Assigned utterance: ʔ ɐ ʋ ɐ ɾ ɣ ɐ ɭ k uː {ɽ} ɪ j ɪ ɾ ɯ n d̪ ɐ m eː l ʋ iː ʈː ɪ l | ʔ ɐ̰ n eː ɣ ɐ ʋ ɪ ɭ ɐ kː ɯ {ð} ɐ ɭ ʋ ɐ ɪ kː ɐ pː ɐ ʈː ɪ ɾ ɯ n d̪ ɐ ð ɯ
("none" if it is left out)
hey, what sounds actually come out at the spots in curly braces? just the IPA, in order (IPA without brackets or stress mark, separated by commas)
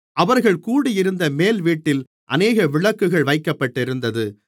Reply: ɽ, ɣ